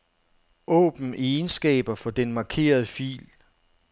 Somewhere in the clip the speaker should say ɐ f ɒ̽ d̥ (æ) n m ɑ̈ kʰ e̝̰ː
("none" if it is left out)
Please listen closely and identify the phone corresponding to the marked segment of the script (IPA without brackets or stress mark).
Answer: e